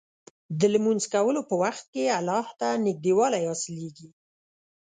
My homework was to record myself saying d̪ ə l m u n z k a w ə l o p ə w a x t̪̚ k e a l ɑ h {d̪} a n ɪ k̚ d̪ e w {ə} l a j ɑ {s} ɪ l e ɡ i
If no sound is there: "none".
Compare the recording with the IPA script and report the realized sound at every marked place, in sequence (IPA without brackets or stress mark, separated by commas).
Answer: t̪, ɑ, s